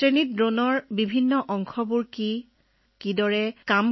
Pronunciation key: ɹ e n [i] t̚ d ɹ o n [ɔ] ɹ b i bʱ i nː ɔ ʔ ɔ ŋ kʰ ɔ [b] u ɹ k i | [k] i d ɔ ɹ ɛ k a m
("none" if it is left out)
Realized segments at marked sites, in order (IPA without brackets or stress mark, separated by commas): i, ɔ, b, k